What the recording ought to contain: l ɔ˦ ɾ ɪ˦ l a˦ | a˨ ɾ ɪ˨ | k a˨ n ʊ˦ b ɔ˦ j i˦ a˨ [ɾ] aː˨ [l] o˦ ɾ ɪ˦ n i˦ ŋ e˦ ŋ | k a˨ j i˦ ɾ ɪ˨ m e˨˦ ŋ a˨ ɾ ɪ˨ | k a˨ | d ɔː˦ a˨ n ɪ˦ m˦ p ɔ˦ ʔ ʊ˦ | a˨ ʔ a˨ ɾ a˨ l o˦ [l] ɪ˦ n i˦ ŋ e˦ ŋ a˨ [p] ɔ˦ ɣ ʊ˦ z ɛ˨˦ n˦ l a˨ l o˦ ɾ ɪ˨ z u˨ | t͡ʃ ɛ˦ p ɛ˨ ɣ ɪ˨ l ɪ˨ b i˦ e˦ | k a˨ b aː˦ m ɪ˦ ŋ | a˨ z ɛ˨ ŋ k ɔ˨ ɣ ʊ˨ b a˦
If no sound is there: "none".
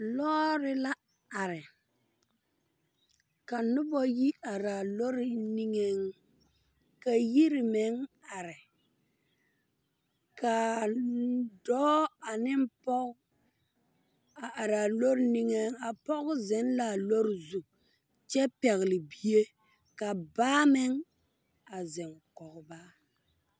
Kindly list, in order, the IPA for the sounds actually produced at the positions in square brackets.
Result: ɾ, l, ɾ, p

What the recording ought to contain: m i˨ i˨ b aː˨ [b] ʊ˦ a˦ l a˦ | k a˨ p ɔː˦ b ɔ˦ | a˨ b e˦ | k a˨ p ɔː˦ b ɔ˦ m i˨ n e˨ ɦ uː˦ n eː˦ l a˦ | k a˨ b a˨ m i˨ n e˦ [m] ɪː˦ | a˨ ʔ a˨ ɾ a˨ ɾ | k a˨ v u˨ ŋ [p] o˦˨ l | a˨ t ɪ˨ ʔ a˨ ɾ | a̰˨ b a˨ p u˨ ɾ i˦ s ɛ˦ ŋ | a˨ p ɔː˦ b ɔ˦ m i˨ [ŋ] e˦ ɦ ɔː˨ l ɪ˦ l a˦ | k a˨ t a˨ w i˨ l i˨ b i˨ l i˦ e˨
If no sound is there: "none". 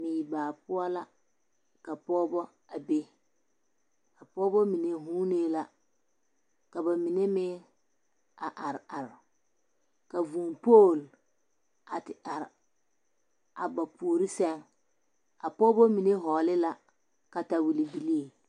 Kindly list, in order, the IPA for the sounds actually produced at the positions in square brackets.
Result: p, m, p, n

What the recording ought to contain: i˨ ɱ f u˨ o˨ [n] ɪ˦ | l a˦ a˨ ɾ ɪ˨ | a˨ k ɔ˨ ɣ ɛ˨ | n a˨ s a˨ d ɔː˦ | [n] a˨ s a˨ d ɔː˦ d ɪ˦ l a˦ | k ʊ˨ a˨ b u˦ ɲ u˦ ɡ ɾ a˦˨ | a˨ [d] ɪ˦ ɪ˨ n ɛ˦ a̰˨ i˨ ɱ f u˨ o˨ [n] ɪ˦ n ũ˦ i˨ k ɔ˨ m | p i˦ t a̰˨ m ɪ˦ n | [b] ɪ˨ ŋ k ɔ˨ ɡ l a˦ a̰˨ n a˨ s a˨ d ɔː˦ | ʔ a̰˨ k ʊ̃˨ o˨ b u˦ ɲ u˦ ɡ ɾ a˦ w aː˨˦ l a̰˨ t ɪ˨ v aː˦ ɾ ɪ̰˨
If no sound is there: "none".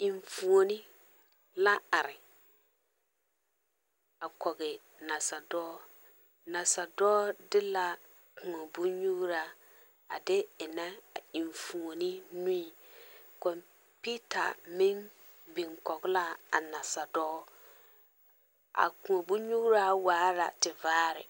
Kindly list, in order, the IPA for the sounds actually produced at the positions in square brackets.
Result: n, n, d, n, b

